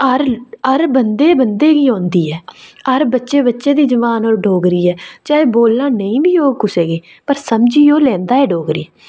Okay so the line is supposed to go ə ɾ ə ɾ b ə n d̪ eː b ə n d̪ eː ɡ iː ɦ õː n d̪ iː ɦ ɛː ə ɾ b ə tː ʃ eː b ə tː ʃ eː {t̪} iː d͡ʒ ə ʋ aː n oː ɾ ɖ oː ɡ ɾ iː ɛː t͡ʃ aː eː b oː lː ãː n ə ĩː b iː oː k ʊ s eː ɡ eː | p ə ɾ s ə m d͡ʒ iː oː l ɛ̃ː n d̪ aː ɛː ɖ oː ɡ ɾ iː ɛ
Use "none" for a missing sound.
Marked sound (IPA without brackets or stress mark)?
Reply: d̪